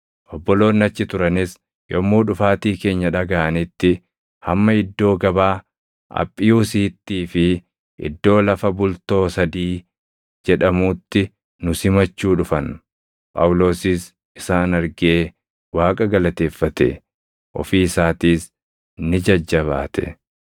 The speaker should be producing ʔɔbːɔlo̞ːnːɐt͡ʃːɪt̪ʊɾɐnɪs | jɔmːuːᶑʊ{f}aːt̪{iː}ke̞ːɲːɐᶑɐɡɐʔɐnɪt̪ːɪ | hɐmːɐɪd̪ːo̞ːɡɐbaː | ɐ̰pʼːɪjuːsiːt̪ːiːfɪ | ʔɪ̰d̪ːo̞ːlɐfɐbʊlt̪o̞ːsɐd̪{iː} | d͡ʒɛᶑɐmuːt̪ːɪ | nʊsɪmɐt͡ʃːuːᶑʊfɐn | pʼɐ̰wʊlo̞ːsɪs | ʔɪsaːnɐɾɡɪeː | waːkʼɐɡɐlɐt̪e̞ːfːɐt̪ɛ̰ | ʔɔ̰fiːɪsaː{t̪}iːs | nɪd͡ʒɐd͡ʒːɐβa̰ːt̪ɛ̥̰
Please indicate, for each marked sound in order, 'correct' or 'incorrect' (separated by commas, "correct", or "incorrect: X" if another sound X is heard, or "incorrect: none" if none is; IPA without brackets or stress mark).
correct, correct, correct, correct